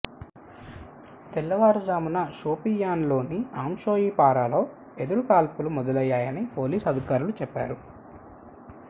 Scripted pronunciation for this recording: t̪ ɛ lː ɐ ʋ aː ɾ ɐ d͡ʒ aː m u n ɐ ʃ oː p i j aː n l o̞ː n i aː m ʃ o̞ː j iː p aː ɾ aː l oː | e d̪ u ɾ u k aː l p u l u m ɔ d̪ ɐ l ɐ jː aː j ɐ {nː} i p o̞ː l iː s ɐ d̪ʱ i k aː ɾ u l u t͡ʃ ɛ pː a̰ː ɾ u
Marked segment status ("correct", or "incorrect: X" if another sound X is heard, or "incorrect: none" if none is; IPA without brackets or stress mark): incorrect: n